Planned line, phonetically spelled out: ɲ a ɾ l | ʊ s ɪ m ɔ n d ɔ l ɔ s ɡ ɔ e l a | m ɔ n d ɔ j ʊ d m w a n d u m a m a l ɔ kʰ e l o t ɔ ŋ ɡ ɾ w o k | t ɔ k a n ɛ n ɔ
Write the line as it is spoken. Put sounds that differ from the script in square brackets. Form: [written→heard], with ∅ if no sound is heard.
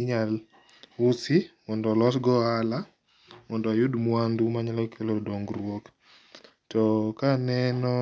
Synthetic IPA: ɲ a [ɾ→∅] l | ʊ s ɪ m ɔ n d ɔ l ɔ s ɡ ɔ [e→a] l a | m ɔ n d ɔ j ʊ d m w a n d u m a [m→ɲ] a l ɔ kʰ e l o [t→d] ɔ ŋ ɡ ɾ w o k | t ɔ k a n ɛ n ɔ